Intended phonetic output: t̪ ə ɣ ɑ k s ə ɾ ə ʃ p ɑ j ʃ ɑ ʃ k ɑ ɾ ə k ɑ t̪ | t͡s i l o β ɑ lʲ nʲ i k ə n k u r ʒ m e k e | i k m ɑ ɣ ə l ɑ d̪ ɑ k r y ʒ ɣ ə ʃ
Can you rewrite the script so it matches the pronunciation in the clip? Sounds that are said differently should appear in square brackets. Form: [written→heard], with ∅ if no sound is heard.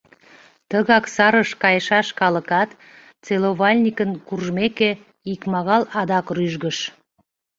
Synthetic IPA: t̪ ə ɣ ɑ k s [ə→ɑ] ɾ ə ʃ [p→k] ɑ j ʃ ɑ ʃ k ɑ [ɾ→l] ə k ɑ t̪ | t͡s [i→e] l o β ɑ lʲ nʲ i k ə n k u r ʒ m e k e | i k m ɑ ɣ [ə→ɑ] l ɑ d̪ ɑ k r y ʒ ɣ ə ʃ